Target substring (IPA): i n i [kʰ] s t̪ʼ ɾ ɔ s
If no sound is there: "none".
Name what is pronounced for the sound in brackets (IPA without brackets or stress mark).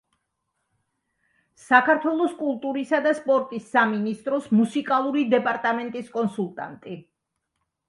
none